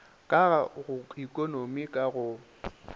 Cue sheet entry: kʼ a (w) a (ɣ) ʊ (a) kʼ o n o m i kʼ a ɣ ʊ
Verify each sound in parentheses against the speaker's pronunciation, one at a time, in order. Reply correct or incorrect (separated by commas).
incorrect, correct, incorrect